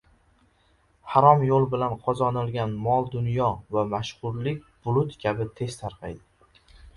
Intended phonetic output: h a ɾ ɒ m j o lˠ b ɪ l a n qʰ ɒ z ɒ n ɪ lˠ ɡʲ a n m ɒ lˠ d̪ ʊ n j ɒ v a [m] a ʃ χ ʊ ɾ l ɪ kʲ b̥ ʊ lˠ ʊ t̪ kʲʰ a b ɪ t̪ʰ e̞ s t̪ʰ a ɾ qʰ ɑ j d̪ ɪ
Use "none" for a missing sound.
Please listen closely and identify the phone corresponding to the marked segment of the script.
m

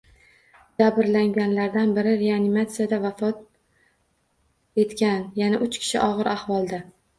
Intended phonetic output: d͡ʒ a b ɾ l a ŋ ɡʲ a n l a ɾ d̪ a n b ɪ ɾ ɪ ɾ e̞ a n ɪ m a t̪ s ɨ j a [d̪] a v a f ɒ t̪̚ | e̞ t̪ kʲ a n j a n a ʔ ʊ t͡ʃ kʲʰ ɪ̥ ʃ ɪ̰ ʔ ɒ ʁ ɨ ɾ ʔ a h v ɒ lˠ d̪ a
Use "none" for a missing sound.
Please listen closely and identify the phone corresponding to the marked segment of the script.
d̪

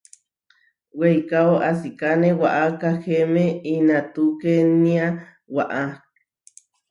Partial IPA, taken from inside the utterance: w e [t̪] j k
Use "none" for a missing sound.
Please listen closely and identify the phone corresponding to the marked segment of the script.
none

